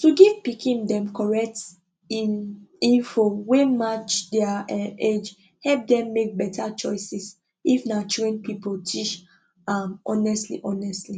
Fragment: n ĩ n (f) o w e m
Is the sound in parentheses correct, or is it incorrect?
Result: correct